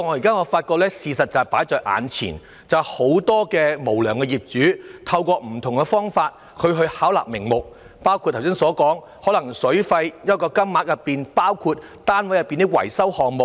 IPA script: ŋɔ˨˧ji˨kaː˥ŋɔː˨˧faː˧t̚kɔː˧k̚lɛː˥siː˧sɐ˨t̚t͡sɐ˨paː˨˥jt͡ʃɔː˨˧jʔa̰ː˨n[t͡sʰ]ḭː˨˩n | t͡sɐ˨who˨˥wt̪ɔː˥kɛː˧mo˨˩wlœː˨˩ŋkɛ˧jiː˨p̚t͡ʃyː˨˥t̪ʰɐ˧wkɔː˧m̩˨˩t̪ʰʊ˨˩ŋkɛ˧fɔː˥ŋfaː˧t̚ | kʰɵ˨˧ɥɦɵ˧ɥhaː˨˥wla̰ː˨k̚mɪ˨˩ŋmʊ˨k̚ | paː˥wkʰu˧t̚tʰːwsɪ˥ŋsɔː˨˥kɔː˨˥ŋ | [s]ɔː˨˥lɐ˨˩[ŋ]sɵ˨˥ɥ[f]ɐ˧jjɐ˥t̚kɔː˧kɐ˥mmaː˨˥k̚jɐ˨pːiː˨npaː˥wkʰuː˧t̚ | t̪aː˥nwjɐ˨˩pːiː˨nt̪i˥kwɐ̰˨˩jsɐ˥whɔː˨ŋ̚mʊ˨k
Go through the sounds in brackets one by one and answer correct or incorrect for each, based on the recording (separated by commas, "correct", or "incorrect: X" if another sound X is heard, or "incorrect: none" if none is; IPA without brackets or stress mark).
correct, incorrect: h, correct, correct